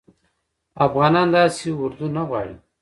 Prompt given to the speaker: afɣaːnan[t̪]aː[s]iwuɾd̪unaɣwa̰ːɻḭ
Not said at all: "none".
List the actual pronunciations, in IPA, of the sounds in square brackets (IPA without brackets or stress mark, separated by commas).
d̪, s